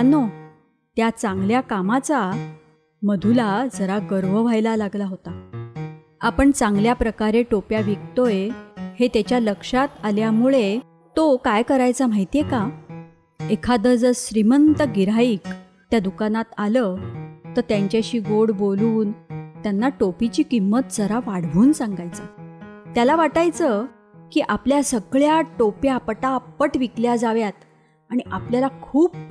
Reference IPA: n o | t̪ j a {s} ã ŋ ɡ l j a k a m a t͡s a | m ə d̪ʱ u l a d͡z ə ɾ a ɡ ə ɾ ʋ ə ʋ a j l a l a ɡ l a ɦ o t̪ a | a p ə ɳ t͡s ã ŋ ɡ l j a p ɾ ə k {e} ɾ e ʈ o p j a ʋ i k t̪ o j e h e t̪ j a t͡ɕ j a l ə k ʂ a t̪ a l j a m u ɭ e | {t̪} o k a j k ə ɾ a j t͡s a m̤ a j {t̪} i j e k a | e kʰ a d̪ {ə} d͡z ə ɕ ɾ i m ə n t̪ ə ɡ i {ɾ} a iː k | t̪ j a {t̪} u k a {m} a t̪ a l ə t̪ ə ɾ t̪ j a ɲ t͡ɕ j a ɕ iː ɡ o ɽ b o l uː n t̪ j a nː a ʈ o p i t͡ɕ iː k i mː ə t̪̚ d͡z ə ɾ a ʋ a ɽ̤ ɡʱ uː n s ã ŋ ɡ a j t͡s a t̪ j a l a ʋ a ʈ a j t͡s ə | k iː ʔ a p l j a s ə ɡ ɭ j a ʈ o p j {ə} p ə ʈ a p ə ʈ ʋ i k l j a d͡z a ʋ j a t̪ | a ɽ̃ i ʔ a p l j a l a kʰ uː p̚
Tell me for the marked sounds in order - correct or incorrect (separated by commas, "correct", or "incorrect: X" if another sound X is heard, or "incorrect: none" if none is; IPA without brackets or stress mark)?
incorrect: t͡s, incorrect: a, correct, correct, correct, correct, incorrect: d̪, incorrect: n, incorrect: a